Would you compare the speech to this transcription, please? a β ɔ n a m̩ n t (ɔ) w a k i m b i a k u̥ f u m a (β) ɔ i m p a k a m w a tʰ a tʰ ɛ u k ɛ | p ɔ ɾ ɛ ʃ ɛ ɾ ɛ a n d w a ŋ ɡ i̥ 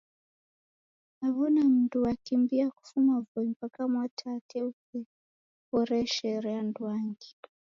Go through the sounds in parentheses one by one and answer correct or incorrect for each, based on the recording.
incorrect: u, incorrect: v

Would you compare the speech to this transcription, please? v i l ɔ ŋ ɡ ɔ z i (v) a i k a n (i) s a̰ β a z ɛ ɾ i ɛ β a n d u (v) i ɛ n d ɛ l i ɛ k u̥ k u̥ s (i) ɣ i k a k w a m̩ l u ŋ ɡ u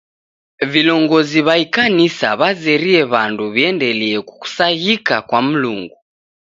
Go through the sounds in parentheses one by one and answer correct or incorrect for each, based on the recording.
incorrect: β, correct, incorrect: β, incorrect: a

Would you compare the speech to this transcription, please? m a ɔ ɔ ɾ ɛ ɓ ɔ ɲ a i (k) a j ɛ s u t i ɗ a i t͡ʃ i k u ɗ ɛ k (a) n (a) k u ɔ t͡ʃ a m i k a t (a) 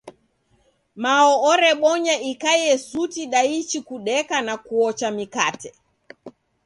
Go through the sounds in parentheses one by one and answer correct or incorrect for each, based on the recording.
correct, correct, correct, incorrect: ɛ

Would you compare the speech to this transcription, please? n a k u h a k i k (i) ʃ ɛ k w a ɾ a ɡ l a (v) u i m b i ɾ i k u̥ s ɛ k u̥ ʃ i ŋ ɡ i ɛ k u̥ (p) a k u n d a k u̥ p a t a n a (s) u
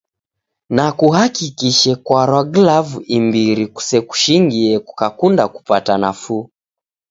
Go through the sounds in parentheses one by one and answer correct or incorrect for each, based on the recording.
correct, correct, incorrect: k, incorrect: f

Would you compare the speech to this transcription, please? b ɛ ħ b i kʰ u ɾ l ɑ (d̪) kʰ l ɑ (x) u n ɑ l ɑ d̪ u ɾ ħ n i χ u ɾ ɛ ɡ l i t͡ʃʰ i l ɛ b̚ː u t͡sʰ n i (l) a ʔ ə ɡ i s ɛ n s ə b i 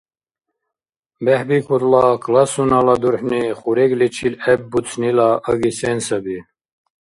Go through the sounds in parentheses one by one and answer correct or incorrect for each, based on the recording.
incorrect: none, incorrect: s, correct

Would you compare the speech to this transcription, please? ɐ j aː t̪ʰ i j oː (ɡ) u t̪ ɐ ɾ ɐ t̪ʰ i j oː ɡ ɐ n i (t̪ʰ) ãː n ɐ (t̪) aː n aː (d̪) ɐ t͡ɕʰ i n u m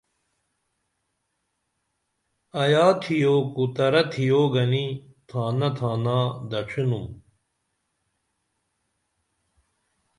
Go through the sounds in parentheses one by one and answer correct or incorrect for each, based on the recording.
incorrect: k, correct, incorrect: t̪ʰ, correct

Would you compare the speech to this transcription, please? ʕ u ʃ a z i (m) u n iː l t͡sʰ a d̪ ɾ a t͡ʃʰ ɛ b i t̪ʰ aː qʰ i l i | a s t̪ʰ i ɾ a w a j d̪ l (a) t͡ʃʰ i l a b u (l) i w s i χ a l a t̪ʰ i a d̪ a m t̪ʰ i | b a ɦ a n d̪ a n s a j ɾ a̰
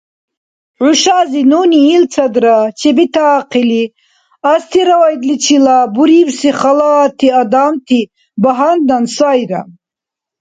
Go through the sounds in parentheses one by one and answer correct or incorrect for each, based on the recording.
incorrect: n, incorrect: i, incorrect: ɾ

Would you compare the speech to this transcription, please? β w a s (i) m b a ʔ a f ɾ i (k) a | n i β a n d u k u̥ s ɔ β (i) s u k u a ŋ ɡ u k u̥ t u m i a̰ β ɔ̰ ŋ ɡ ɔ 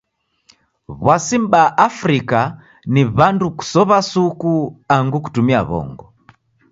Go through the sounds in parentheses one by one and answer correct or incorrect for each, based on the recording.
correct, correct, incorrect: a

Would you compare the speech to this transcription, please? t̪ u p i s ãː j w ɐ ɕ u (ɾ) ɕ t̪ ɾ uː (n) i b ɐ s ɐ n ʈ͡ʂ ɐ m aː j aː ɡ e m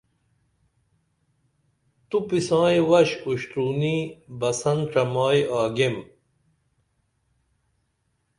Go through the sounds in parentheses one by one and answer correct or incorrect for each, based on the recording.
incorrect: none, correct

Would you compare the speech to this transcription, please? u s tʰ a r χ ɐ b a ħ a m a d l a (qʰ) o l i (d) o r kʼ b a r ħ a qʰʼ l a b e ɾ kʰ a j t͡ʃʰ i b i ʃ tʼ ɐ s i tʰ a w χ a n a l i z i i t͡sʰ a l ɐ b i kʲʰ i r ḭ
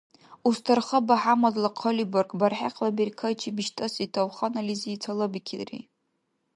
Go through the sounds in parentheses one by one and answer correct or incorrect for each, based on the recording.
correct, incorrect: b

